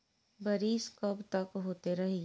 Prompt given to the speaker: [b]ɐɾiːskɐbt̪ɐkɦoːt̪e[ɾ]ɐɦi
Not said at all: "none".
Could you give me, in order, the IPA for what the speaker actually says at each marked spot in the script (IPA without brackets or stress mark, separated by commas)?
b, ɾ